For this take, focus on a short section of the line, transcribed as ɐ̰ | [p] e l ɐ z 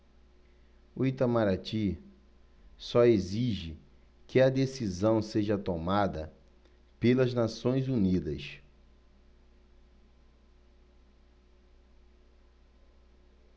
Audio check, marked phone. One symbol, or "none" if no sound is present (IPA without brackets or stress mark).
p